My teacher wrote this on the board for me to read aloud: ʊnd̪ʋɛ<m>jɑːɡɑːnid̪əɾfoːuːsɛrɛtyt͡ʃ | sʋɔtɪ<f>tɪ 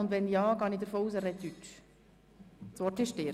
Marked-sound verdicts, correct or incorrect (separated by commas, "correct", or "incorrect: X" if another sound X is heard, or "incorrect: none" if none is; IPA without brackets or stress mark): incorrect: n, incorrect: ʃ